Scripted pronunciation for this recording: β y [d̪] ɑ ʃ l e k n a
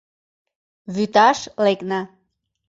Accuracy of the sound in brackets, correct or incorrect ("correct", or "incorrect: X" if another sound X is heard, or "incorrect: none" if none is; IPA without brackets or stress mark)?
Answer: incorrect: t̪